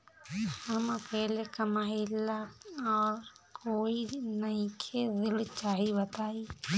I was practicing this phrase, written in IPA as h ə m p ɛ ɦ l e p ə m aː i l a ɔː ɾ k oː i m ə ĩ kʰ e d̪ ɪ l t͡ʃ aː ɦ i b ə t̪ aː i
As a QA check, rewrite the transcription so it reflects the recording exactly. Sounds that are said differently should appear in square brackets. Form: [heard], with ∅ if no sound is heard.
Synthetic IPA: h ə m p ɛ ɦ l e [k] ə m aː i l a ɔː ɾ k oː i [n] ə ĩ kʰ e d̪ ɪ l t͡ʃ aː ɦ i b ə t̪ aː i